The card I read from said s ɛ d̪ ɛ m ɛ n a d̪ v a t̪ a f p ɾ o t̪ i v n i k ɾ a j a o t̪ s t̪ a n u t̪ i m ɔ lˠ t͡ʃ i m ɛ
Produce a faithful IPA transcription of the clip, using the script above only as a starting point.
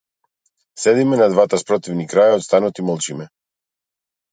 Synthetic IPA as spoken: s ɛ d̪ i m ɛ n a d̪ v a t̪ a s p ɾ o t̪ i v n i k ɾ a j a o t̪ s t̪ a n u t̪ i m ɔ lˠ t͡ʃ i m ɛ